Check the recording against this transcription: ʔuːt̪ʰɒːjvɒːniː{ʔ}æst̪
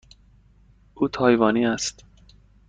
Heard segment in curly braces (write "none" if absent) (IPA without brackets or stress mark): none